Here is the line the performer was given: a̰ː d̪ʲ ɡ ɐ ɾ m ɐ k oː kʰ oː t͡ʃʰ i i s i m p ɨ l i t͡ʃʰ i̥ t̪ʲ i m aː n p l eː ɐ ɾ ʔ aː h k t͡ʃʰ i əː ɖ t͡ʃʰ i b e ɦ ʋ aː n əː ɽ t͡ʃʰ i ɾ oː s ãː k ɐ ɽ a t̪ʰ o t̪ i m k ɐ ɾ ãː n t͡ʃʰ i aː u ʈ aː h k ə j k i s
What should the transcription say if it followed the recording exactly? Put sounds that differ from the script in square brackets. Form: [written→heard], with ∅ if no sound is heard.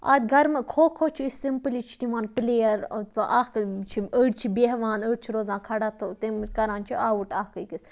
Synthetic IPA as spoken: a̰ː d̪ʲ ɡ ɐ ɾ m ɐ [k→kʰ] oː kʰ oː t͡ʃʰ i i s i m p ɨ l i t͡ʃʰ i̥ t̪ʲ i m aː n p l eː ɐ ɾ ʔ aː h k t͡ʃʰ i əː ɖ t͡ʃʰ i b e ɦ ʋ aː n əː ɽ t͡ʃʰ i ɾ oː [s→z] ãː [k→kʰ] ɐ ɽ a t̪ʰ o t̪ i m k ɐ ɾ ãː n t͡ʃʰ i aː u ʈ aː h k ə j k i s

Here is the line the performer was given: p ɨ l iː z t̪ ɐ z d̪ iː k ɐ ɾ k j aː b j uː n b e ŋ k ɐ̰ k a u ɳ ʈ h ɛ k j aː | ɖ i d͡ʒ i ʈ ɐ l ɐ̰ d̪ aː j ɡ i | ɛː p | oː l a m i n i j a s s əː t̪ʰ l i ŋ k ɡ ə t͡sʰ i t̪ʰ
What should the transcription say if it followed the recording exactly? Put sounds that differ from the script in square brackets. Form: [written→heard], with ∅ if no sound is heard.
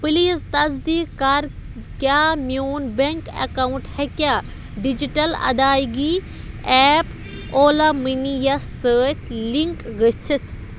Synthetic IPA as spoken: p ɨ l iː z t̪ ɐ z d̪ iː k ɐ ɾ k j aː [b→m] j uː n b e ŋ k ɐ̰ k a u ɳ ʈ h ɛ k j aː | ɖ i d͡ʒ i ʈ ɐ l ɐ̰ d̪ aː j ɡ i | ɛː p | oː l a m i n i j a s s əː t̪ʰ l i ŋ k ɡ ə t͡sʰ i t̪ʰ

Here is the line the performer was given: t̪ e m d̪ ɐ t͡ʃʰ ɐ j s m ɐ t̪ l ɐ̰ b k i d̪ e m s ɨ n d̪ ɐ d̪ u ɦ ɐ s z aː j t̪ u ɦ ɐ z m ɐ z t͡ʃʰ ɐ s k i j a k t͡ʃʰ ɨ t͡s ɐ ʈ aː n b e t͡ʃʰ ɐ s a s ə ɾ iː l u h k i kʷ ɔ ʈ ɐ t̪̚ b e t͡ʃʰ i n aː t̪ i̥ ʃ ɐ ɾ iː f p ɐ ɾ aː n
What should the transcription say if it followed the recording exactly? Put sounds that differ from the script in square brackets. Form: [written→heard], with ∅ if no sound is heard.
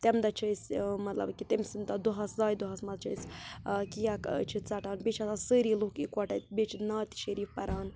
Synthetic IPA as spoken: t̪ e m d̪ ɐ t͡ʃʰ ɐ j s m ɐ t̪ l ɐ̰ b k i [d̪→t̪] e m s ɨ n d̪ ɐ d̪ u ɦ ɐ s z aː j [t̪→d̪] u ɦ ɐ [z→s] m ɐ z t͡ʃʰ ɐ s k i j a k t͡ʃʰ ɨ t͡s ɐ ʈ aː n b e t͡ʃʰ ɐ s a s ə ɾ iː l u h k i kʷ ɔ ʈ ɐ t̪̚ b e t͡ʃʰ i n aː t̪ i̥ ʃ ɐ ɾ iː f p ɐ ɾ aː n

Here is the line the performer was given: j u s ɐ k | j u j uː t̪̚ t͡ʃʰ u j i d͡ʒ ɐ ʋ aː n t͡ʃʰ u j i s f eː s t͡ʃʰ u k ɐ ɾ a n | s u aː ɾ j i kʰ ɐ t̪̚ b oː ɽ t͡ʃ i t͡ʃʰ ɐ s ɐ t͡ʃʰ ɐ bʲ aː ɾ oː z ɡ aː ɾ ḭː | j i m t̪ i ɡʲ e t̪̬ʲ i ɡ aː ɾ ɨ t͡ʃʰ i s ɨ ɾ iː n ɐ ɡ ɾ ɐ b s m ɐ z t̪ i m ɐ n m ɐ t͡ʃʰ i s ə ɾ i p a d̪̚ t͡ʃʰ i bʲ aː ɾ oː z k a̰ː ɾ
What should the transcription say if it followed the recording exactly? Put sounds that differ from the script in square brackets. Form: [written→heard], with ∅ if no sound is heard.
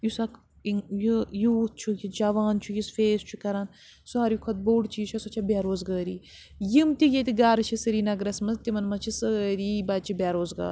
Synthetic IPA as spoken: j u s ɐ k | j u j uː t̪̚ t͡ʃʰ u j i d͡ʒ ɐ ʋ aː n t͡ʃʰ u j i s f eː s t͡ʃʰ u k ɐ ɾ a n | s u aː ɾ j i kʰ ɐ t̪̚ b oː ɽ t͡ʃ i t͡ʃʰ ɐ s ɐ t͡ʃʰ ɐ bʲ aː ɾ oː z ɡ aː ɾ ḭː | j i m t̪ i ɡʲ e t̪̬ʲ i ɡ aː ɾ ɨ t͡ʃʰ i s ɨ ɾ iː n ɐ ɡ ɾ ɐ [b→∅] s m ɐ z t̪ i m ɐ n m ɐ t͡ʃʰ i s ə ɾ i [p→b] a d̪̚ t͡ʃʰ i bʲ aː ɾ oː z [k→ɡ] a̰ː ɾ

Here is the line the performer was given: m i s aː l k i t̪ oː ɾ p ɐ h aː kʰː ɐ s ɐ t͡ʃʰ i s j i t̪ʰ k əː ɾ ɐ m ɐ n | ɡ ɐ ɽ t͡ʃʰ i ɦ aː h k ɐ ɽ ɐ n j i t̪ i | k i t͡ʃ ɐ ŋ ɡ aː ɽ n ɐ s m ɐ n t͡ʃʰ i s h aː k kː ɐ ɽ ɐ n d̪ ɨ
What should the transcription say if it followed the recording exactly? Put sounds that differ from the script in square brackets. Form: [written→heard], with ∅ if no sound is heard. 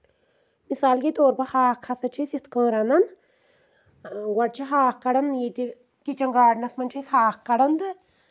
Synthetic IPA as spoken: m i s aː l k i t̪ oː ɾ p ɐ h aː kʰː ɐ s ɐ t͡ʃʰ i s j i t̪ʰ k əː ɾ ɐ [m→n] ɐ n | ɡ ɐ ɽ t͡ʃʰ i ɦ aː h k ɐ ɽ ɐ n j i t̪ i | k i t͡ʃ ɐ ŋ ɡ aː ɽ n ɐ s m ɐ n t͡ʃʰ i s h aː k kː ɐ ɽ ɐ n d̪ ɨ

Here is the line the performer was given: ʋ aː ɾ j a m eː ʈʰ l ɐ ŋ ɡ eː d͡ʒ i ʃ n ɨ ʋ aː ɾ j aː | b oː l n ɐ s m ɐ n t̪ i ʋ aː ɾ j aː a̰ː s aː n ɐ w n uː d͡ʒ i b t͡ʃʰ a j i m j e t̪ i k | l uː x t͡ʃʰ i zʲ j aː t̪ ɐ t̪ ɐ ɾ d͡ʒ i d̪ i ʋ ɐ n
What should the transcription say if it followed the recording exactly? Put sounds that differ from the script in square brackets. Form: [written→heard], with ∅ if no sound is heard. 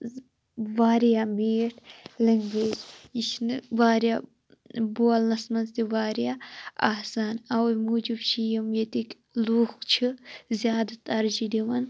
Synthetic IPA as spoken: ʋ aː ɾ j a m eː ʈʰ l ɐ ŋ ɡ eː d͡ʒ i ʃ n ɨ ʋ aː ɾ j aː | b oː l n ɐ s m ɐ n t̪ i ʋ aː ɾ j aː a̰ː s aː n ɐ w [n→m] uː d͡ʒ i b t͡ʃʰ [a→i] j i m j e t̪ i k | l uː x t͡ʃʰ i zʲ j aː [t̪→d̪] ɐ t̪ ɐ ɾ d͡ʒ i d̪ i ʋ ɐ n

